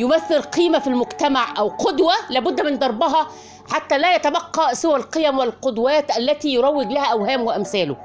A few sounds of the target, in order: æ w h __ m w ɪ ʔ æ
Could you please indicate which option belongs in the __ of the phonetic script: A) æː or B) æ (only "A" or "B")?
A